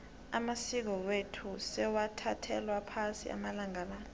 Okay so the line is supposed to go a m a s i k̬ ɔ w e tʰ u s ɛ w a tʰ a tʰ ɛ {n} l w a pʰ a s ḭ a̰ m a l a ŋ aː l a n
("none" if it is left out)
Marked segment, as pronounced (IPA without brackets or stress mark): none